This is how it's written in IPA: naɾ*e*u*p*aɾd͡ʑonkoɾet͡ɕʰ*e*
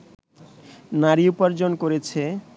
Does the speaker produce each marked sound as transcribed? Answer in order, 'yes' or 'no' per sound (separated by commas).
no, yes, yes